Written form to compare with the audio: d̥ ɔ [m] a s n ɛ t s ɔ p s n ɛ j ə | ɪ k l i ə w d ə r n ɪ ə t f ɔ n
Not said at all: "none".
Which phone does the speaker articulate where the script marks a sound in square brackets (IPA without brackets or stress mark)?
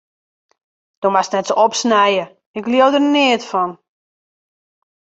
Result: m